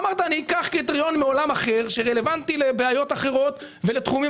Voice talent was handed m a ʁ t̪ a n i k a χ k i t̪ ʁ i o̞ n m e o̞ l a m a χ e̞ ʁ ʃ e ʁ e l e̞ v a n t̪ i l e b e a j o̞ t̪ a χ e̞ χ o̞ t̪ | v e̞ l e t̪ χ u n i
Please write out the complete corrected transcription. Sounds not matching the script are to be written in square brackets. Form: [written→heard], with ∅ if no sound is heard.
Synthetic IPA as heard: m a ʁ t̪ a n i k a χ k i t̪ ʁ i o̞ n m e o̞ l a m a χ e̞ ʁ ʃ e ʁ e l e̞ v a n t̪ i l e b e a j o̞ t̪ a χ e̞ [χ→ʁ] o̞ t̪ | v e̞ l e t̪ χ u [n→m] i